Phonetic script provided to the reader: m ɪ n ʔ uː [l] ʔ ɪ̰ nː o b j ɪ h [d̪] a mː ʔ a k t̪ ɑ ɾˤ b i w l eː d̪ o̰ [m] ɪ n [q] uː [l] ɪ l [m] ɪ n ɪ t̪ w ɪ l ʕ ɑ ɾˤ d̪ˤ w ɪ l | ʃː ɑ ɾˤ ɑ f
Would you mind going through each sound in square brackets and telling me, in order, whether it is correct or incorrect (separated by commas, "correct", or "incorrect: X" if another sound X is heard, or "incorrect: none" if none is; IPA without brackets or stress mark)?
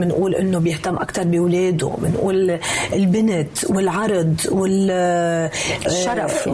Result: correct, incorrect: t̪, correct, incorrect: ʔ, correct, incorrect: b